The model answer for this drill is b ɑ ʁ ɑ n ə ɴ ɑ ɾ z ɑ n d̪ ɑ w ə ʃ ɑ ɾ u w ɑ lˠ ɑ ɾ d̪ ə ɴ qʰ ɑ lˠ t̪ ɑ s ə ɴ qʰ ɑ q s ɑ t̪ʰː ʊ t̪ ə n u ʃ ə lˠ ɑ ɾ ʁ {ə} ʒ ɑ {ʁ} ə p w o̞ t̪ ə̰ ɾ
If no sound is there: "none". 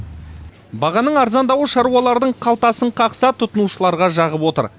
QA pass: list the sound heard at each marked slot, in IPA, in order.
ɑ, ʁ

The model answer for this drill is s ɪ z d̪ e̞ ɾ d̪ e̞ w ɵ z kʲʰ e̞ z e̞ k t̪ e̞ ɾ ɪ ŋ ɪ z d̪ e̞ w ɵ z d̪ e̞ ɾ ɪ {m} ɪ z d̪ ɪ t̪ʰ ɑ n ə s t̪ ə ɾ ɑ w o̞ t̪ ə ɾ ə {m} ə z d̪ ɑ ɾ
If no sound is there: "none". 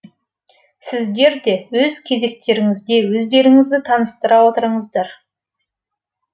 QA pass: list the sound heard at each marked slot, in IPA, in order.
ŋ, ɴ

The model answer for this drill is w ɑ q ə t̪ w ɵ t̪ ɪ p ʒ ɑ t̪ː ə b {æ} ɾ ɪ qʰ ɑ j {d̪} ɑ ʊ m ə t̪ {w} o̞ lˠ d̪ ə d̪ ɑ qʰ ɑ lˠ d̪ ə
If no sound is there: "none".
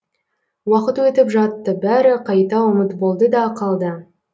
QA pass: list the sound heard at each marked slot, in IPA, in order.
æ, t̪, b

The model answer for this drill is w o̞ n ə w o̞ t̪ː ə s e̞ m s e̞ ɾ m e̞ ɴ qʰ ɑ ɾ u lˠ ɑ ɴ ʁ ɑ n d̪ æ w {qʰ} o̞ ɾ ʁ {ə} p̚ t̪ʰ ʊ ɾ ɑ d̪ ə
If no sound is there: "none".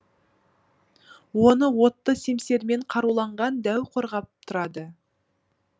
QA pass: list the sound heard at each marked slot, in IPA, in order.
qʰ, ɑ

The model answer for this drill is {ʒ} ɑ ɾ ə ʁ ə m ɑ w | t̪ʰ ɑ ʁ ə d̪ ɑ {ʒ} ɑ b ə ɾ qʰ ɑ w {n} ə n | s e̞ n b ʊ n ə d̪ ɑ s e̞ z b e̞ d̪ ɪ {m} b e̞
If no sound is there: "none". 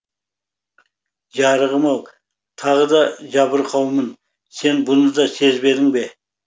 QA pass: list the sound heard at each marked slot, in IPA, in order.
ʒ, ʒ, m, ŋ

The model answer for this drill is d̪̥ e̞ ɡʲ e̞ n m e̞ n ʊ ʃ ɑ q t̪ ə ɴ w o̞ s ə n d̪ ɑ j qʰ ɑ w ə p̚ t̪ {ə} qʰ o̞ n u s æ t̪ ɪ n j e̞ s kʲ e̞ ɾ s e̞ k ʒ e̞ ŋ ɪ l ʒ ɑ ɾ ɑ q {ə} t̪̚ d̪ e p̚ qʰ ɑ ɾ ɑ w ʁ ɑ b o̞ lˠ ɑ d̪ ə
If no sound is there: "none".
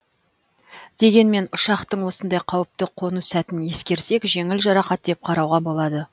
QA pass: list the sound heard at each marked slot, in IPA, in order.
ə, ɑ

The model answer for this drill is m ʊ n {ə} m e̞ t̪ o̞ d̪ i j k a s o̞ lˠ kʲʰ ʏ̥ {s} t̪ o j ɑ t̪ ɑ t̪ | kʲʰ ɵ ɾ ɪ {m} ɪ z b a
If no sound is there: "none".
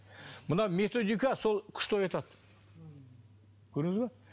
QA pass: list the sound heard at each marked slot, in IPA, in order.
ɑ, ʃ, ŋ

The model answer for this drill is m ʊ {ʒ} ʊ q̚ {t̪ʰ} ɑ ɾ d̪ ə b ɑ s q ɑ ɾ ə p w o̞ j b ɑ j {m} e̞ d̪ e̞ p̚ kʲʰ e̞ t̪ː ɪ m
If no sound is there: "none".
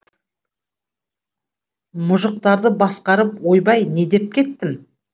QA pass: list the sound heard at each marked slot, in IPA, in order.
ʒ, t̪, n

